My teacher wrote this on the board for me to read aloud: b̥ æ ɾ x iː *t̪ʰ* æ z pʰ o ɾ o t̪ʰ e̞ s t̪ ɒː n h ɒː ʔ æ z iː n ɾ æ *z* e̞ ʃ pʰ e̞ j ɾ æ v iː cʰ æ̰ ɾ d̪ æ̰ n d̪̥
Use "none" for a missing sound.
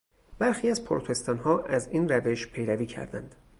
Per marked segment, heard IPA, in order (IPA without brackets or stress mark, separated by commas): none, v